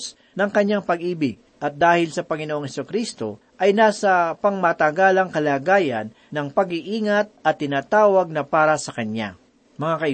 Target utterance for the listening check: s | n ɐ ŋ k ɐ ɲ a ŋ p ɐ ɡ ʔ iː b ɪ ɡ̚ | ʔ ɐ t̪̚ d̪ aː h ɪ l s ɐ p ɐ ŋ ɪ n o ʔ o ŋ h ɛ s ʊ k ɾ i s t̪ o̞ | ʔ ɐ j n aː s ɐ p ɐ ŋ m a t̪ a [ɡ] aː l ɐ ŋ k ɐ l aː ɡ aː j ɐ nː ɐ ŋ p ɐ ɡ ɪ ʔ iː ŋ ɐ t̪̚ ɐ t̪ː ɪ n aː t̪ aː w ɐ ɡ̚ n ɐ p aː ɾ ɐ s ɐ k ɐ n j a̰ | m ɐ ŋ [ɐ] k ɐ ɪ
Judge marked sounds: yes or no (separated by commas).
yes, no